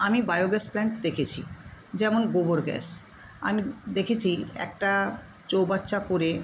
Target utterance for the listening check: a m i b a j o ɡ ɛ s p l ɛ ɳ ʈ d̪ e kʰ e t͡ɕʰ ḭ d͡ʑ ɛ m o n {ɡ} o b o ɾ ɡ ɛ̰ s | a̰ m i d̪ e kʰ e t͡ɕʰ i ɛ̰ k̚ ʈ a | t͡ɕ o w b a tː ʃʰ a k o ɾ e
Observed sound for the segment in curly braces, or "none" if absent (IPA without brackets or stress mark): ɡ